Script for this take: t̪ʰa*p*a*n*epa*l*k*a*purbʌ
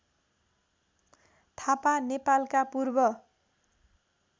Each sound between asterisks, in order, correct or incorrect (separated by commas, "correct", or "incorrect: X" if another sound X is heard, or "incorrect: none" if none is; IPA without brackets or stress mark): correct, correct, correct, correct